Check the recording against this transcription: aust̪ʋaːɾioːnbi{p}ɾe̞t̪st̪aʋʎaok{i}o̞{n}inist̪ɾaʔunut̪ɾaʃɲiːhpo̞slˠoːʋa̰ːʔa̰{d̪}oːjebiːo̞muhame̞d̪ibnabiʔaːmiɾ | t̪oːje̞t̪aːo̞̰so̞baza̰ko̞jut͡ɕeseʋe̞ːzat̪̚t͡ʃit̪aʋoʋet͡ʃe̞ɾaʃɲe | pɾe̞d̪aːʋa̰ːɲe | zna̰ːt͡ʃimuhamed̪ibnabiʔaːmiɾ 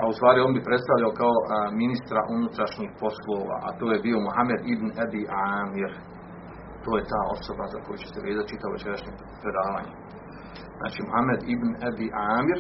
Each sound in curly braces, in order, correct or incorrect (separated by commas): correct, incorrect, incorrect, incorrect